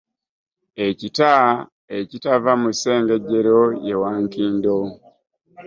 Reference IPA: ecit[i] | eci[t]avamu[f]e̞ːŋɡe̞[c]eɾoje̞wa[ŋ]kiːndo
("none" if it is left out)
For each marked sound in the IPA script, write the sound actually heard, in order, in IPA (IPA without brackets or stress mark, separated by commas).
a, t, s, ɟ, ŋ